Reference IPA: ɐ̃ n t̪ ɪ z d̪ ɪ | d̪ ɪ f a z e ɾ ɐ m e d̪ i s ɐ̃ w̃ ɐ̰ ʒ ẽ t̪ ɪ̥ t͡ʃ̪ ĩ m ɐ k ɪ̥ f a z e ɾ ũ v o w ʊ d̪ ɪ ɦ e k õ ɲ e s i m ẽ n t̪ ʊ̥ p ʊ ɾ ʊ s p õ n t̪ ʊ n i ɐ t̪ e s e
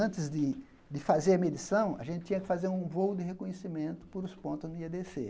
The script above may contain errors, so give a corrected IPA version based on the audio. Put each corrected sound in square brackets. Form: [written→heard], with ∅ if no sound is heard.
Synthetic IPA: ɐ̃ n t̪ ɪ z d̪ ɪ | d̪ ɪ f a z e ɾ ɐ m e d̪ i s ɐ̃ w̃ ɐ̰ ʒ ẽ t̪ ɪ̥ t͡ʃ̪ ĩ [m→ɲ] ɐ k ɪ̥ f a z e ɾ ũ v o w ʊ d̪ ɪ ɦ e k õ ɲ e s i m ẽ n t̪ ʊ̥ p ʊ ɾ ʊ s p õ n t̪ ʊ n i ɐ [t̪→d̪] e s e